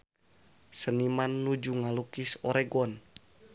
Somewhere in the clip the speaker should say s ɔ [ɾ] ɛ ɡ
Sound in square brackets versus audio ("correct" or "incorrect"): correct